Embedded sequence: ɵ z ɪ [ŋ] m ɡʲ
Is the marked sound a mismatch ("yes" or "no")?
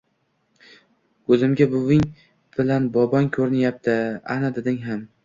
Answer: yes